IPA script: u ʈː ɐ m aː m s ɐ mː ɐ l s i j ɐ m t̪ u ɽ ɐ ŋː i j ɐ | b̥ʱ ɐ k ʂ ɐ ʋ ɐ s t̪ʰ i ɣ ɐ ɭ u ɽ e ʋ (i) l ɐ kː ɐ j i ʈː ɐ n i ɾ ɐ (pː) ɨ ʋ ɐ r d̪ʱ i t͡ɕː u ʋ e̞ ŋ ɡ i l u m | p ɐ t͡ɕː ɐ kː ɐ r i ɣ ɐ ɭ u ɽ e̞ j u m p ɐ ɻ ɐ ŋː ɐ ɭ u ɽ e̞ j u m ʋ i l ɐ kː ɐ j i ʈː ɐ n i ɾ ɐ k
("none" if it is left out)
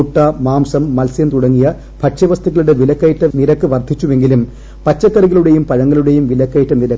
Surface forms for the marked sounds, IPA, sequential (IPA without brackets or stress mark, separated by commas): i, kː